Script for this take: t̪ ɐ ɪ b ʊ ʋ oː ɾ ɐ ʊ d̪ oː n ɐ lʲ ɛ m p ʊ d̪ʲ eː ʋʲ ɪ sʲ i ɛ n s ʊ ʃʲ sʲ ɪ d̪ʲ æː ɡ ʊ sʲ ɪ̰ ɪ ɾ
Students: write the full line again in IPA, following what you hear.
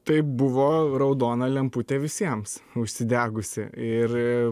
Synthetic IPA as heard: t̪ ɐ ɪ b ʊ ʋ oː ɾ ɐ ʊ d̪ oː n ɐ lʲ ɛ m p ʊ t̪ʲ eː ʋʲ ɪ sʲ i ɛ m s ʊ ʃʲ sʲ ɪ d̪ʲ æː ɡ ʊ sʲ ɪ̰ ɪ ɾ